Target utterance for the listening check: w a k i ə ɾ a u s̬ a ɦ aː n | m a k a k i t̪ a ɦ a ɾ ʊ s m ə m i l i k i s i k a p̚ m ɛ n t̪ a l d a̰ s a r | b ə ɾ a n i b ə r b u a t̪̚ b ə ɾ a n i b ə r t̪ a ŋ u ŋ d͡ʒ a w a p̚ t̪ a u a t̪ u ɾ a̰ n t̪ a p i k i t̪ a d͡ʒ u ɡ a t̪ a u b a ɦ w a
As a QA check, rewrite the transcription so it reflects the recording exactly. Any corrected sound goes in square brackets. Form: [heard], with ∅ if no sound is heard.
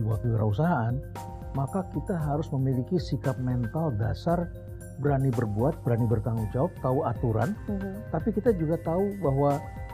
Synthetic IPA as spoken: w a k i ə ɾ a u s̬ a ɦ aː n | m a k a k i t̪ a ɦ a ɾ ʊ s m ə m i l i k i s i k a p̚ m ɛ n t̪ a l d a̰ s a r | b ə ɾ a n i b ə r b u a t̪̚ b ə ɾ a n i b ə r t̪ a ŋ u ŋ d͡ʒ a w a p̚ t̪ a u a t̪ u ɾ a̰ n t̪ a p i k i t̪ a d͡ʒ u ɡ a t̪ a u b a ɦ w a